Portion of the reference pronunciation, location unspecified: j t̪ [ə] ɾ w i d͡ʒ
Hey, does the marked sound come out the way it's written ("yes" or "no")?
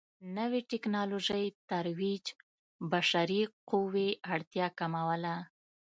no